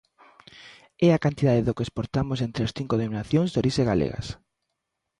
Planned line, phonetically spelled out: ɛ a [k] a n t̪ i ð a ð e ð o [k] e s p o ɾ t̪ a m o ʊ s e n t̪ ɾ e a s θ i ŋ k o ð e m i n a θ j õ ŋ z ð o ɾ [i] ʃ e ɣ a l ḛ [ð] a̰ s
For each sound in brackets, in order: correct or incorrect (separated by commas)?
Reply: correct, correct, correct, incorrect